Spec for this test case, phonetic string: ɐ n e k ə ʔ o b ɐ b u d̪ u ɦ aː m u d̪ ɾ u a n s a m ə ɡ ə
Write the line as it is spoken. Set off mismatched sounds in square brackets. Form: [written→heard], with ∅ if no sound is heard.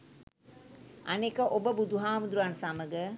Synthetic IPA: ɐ n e k ə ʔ o b [ɐ→ə] b u d̪ u ɦ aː m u d̪ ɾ u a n s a m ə ɡ ə

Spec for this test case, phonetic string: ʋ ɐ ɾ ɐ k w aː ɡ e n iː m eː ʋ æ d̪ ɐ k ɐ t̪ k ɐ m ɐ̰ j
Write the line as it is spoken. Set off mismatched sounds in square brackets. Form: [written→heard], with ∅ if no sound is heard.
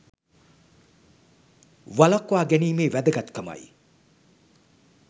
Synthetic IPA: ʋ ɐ [ɾ→l] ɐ k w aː ɡ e n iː m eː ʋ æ d̪ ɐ [k→ɡ] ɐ t̪ k ɐ m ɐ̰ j

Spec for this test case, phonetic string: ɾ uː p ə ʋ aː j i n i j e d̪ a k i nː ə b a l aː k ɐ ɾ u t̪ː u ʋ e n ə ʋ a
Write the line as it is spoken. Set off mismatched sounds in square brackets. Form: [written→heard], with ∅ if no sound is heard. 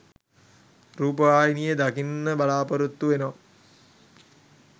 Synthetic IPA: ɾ uː p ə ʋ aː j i n i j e d̪ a k i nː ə b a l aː [k→p] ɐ ɾ u t̪ː u ʋ e n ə ʋ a

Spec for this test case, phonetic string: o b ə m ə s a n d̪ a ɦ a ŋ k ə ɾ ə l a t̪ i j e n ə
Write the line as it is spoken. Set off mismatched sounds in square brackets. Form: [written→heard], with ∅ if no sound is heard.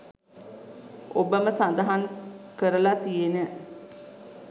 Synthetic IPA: o b ə m ə s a n d̪ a ɦ a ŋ k ə ɾ ə l a t̪ i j e n ə

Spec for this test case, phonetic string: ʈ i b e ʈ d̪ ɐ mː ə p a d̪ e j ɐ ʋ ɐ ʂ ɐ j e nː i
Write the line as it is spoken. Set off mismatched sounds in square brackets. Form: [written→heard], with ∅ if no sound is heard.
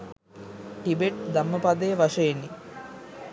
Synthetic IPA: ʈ i b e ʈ d̪ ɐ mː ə p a d̪ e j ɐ ʋ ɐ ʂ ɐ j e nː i

